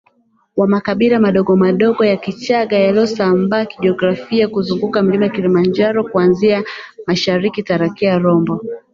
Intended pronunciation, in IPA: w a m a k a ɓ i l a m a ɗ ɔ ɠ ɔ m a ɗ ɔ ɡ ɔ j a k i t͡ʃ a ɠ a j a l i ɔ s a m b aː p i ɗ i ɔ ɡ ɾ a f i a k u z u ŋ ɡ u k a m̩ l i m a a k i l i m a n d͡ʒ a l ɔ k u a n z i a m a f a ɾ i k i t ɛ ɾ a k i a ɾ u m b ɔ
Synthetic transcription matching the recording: w a m a k a ɓ i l a m a ɗ ɔ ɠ ɔ m a ɗ ɔ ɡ ɔ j a k i t͡ʃ a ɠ a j a l i ɔ s a m b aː k i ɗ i ɔ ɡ ɾ a f i a k u z u ŋ ɡ u k a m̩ l i m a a k i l i m a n d͡ʒ a ɾ ɔ k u a n z i a m a ʃ a ɾ i k i t a ɾ a k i a ɾ ɔ m b ɔ